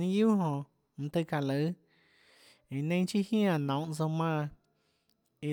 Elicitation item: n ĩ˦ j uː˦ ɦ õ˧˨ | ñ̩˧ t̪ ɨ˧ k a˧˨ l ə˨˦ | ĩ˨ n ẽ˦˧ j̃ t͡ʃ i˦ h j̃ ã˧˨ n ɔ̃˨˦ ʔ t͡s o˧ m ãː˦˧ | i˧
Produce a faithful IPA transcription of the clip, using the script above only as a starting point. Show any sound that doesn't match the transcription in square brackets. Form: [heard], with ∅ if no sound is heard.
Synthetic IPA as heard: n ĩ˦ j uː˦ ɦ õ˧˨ | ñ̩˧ t̪ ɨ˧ k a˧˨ l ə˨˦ | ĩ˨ n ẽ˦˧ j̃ t͡ʃ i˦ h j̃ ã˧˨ n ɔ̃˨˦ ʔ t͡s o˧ m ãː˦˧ | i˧